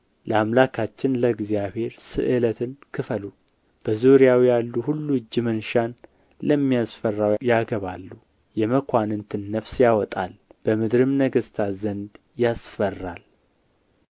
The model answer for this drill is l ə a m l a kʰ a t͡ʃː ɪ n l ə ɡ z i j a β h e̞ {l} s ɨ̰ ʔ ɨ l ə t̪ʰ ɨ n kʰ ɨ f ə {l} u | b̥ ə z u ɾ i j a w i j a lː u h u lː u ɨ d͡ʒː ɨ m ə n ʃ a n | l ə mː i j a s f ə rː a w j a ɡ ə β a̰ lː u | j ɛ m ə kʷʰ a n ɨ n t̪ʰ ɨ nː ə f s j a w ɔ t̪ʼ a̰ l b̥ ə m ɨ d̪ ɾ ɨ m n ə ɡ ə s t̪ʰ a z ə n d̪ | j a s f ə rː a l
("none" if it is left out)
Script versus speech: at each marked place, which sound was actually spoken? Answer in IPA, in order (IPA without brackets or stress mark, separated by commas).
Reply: ɾ, l